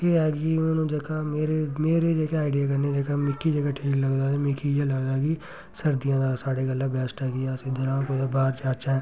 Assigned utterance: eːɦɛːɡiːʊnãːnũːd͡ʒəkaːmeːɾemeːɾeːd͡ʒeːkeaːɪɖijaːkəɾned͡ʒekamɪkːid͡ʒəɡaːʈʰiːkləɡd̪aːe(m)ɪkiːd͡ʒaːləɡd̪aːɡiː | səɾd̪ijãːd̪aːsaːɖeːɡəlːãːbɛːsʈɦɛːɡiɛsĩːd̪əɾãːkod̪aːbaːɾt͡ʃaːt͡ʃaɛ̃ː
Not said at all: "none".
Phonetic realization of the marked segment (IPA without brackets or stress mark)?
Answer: m